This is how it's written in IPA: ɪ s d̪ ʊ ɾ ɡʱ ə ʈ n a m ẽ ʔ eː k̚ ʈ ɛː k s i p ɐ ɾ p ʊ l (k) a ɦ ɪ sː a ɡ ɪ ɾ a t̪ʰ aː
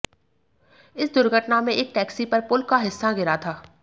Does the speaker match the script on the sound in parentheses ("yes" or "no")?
yes